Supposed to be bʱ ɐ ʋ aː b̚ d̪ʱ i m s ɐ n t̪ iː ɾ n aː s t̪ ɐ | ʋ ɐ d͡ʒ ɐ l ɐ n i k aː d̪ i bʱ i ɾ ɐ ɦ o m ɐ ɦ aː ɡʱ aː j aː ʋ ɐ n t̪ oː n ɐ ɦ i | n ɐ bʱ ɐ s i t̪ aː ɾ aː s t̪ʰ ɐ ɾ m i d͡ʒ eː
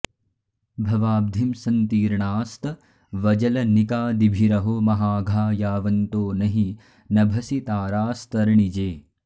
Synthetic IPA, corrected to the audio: bʱ ɐ ʋ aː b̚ d̪ʱ i m s ɐ n t̪ iː ɾ ɳ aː s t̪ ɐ | ʋ ɐ d͡ʒ ɐ l ɐ n i k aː d̪ i bʱ i ɾ ɐ ɦ o m ɐ ɦ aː ɡʱ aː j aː ʋ ɐ n t̪ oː n ɐ ɦ i | n ɐ bʱ ɐ s i t̪ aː ɾ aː s t̪ ɐ ɾ ɳ i d͡ʒ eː